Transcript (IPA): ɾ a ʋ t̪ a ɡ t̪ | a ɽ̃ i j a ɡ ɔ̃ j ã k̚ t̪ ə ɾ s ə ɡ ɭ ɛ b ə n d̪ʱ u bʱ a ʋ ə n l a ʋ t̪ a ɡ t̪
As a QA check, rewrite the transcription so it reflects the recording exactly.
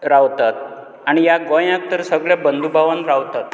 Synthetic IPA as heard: ɾ a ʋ t̪ a t̪ | a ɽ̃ i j a ɡ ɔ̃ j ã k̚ t̪ ə ɾ s ə ɡ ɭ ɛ b ə n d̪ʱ u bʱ a ʋ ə n ɾ a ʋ t̪ a t̪